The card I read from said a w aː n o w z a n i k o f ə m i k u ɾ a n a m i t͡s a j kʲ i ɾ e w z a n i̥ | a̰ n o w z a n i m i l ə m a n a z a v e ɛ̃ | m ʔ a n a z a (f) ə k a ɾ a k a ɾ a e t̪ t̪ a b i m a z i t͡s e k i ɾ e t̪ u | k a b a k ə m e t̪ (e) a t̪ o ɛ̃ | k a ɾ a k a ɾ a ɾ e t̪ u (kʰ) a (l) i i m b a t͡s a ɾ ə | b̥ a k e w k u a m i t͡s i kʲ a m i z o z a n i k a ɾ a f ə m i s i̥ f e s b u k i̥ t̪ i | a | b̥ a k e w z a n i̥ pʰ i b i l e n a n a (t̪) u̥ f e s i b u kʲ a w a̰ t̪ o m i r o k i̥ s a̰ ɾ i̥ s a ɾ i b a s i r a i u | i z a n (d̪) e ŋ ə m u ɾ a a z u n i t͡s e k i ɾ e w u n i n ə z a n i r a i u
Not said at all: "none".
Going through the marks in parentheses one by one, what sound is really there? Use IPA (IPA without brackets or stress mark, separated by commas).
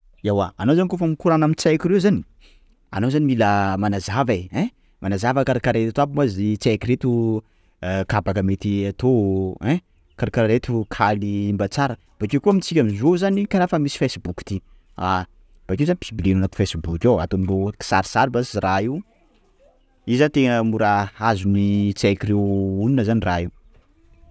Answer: v, i, kʰ, l, t̪, t̪